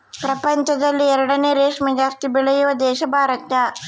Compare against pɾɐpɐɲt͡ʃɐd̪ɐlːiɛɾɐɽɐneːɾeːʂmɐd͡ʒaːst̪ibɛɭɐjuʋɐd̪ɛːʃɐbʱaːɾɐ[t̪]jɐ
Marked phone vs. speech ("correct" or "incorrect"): correct